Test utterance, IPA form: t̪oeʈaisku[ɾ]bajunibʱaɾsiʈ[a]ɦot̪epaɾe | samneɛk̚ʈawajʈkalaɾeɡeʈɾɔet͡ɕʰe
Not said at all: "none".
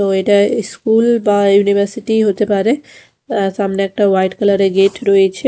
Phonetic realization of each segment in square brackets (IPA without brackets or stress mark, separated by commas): l, i